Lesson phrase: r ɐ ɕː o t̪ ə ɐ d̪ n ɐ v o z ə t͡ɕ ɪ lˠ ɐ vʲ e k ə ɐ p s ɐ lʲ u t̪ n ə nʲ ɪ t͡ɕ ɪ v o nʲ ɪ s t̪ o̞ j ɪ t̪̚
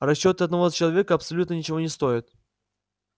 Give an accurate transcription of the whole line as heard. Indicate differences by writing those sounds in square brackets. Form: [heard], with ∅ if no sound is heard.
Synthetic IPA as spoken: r ɐ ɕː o t̪ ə ɐ d̪ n ɐ v o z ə t͡ɕ ɪ lˠ ɐ vʲ e k ə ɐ p s ɐ lʲ u t̪ n ə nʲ ɪ t͡ɕ ɪ v o nʲ ɪ s t̪ o̞ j ɪ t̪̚